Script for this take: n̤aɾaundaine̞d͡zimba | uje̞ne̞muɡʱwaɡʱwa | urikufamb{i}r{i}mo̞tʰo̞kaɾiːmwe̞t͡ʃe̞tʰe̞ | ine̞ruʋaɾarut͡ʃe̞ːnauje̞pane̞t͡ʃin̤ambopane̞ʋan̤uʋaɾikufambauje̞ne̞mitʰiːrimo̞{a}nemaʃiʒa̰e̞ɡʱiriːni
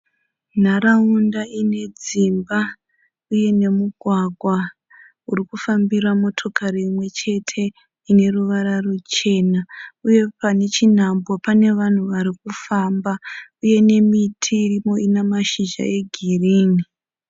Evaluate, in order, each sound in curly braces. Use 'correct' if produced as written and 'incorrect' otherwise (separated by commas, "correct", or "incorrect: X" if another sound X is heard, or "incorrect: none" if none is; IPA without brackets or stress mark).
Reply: correct, incorrect: a, incorrect: i